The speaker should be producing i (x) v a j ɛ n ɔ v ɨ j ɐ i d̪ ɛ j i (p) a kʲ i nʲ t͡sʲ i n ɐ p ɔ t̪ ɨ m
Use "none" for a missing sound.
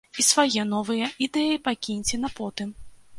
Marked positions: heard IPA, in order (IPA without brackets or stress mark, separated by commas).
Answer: s, p